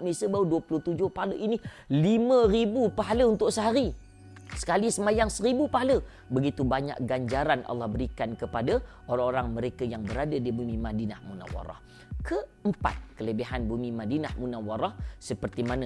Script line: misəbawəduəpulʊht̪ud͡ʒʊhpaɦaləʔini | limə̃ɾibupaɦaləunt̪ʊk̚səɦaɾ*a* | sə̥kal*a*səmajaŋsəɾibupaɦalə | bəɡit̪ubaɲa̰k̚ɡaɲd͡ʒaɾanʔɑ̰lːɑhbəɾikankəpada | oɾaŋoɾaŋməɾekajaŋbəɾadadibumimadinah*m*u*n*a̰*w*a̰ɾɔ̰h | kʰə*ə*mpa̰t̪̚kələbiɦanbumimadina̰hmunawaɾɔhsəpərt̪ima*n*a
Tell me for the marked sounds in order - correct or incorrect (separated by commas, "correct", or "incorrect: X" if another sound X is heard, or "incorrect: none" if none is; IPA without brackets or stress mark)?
incorrect: i, incorrect: i, correct, correct, correct, correct, correct